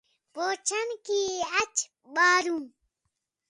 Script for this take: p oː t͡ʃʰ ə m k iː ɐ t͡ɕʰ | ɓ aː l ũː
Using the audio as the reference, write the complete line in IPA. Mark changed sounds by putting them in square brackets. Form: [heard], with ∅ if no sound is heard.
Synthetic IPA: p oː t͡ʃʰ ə [n] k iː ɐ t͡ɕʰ | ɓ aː [ɾ] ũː